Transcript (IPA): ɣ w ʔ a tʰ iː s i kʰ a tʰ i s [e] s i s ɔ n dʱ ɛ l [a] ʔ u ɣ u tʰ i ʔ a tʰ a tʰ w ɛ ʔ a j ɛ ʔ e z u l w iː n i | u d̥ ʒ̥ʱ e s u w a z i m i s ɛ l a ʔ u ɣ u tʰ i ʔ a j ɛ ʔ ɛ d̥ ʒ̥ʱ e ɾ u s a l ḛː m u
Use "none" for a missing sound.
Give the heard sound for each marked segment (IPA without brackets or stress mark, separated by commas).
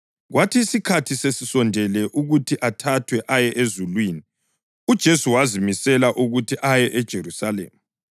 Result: e, ɛ